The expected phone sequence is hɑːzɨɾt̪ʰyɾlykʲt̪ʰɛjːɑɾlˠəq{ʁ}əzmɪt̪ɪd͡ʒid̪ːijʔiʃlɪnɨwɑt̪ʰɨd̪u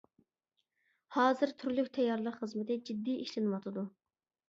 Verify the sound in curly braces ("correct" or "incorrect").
incorrect